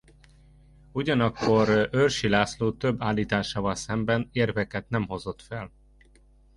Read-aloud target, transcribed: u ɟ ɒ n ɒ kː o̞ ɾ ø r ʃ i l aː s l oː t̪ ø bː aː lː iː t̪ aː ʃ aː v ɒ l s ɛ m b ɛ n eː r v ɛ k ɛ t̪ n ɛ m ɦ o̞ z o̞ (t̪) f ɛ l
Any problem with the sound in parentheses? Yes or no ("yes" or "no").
no